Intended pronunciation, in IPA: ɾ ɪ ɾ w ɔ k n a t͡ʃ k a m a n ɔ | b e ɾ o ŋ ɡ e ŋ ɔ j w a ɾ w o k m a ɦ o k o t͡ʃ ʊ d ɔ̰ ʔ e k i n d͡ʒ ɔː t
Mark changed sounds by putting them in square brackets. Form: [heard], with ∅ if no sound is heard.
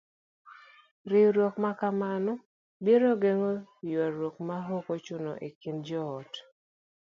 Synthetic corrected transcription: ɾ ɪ ɾ w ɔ k [m] a [∅] k a m a n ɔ | b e ɾ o [∅] ɡ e ŋ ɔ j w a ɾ w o k m a ɦ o k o t͡ʃ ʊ [n] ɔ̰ ʔ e k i n d͡ʒ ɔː t